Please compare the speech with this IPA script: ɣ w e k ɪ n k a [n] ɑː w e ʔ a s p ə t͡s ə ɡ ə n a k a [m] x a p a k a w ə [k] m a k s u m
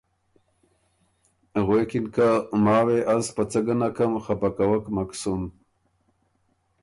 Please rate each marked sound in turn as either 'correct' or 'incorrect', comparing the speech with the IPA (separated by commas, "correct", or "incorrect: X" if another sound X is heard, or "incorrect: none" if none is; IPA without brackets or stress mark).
incorrect: m, correct, correct